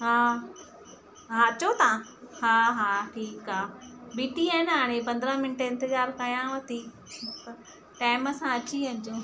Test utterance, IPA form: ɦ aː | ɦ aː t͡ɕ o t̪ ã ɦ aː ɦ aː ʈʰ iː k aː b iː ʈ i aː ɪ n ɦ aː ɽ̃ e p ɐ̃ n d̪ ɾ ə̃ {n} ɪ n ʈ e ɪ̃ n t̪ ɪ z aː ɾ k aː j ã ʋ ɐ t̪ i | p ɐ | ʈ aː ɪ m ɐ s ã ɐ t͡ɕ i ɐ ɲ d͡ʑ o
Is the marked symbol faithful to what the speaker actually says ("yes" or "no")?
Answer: no